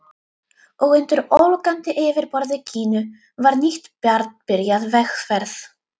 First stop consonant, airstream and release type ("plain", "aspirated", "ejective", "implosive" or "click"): plain